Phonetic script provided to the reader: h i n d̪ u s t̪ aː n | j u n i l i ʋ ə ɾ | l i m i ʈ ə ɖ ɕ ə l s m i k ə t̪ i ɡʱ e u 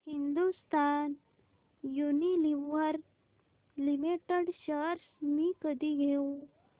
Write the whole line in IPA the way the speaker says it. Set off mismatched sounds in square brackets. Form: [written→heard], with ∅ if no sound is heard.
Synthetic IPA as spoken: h i n d̪ u s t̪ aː n | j u n i l i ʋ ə ɾ | l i m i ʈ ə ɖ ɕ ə [l→ɾ] s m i k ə [t̪→d̪] i ɡʱ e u